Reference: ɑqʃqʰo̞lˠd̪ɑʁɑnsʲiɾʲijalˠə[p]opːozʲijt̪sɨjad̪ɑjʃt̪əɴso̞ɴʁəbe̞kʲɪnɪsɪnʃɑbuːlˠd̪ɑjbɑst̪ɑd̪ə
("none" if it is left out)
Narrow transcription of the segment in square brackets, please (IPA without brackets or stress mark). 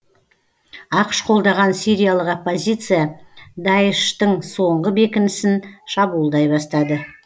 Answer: q